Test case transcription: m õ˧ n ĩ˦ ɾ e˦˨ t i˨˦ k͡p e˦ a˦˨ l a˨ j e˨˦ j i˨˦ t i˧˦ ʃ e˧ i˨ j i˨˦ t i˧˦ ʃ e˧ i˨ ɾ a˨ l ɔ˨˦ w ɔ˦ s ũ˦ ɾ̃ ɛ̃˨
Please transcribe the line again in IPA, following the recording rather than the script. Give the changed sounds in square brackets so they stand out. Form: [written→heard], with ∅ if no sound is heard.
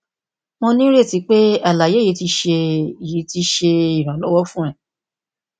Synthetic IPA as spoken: m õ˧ n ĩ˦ ɾ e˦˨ t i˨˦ k͡p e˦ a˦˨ l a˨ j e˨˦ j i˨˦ t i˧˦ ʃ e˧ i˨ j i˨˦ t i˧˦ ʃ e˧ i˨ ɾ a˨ l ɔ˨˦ w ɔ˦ [s→f] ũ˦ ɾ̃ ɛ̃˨